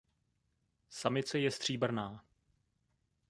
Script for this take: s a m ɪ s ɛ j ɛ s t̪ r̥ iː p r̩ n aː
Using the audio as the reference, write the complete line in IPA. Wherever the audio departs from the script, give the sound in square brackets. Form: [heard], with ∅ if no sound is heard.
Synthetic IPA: s a m ɪ [t͡s] ɛ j ɛ s t̪ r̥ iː [b] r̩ n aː